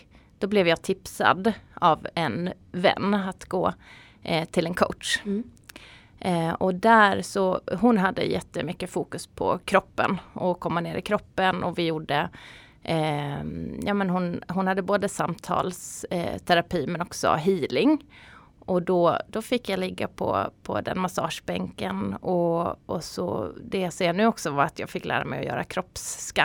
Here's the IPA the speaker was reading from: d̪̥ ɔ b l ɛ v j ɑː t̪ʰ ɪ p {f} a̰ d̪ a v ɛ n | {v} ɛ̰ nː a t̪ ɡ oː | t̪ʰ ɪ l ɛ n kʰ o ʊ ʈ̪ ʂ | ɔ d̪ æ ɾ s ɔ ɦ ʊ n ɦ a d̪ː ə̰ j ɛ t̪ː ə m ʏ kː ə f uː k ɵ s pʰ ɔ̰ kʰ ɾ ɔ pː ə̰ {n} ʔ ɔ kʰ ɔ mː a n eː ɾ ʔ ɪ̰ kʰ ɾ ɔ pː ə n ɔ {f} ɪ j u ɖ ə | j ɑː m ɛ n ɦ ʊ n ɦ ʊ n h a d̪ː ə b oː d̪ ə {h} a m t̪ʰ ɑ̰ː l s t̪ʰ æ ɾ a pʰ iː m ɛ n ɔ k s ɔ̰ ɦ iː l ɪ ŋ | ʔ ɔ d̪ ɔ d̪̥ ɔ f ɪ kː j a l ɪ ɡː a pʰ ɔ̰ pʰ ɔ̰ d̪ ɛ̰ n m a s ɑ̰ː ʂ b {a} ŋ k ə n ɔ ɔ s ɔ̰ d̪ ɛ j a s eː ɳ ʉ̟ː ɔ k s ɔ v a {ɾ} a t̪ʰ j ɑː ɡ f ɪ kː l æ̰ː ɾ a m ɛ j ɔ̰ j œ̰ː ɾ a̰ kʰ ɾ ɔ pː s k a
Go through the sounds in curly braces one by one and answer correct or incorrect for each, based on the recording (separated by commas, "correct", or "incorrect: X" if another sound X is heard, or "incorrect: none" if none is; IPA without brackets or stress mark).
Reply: incorrect: s, correct, correct, incorrect: v, incorrect: s, incorrect: ɛ, correct